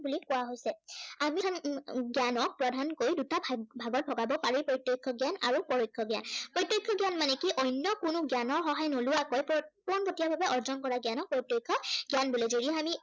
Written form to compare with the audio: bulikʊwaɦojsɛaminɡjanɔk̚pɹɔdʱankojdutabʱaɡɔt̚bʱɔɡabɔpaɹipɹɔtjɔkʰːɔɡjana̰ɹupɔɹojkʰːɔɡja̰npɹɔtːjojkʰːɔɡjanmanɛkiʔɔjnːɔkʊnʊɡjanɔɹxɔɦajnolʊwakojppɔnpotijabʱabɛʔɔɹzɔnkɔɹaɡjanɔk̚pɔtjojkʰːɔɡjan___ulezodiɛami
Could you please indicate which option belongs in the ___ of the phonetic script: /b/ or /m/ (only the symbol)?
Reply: b